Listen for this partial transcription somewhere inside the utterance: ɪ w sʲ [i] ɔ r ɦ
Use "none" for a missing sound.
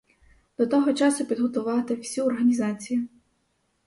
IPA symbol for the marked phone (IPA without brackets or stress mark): i